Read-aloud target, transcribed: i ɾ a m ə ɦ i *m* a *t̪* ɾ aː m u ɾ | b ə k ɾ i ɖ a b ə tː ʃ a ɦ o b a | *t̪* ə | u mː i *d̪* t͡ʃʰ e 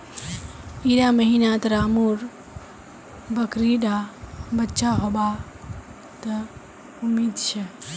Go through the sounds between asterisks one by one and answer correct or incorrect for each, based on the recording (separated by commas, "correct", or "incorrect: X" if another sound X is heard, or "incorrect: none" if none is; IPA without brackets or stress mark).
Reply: incorrect: n, correct, correct, correct